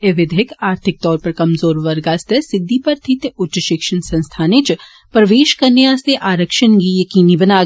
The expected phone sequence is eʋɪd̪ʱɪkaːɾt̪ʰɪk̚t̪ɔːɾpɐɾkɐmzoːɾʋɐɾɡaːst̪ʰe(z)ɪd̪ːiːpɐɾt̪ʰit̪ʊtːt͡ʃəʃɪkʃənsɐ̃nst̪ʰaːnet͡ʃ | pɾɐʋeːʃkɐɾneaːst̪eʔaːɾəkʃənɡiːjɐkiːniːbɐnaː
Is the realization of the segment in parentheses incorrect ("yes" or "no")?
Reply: yes